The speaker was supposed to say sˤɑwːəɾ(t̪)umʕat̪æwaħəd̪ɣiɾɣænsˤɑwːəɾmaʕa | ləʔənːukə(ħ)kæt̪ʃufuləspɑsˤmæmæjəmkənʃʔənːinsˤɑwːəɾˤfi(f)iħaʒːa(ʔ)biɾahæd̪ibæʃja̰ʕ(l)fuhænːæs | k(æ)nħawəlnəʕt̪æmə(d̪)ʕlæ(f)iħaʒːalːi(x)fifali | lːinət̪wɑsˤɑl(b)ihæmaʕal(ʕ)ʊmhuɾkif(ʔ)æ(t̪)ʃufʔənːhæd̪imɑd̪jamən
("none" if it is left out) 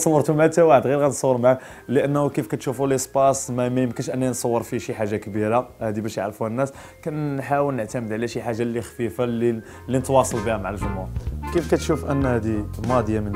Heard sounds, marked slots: t̪, f, ʃ, k, ɾ, æ, d̪, ʃ, x, b, ʒ, k, t̪

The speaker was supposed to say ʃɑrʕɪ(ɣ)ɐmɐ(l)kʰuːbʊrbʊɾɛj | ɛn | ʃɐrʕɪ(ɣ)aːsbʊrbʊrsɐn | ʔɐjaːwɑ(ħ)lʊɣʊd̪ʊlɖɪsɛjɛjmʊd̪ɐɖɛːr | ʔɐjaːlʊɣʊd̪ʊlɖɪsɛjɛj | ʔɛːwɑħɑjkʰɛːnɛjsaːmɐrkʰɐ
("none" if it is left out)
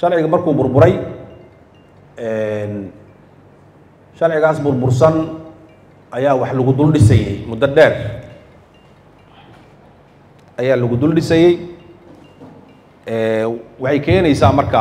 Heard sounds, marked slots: ɣ, r, ɣ, ħ

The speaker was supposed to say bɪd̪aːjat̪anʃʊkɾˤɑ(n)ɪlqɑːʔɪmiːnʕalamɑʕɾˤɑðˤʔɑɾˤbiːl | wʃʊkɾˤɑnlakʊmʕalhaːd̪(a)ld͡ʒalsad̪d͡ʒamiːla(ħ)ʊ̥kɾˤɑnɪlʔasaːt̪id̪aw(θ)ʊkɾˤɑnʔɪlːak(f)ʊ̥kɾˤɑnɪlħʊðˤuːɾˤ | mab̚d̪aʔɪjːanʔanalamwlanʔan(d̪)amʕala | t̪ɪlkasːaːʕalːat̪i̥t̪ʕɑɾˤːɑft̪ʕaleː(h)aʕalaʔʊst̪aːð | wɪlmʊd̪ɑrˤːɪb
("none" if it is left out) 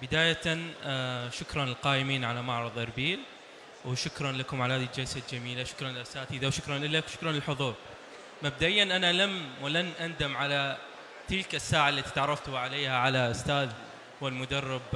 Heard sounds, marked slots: n, i, ʃ, ʃ, ʃ, d̪, h

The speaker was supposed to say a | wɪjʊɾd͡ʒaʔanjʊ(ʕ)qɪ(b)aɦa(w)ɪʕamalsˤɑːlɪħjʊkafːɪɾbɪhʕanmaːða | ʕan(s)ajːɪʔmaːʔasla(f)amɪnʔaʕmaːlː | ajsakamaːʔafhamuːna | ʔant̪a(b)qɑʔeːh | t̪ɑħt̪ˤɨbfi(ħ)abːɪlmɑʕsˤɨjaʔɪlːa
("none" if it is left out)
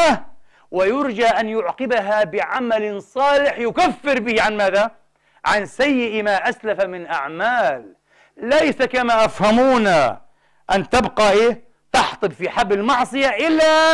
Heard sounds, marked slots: ʕ, b, b, s, f, b, ħ

